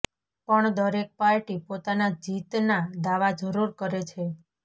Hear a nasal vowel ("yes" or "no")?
no